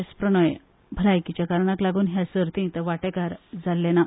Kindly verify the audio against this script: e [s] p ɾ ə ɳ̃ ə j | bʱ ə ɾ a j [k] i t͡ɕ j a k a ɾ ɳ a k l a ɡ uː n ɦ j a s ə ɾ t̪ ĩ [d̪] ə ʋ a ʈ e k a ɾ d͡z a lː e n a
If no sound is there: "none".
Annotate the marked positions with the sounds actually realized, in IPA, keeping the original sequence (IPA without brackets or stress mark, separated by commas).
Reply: s, k, t̪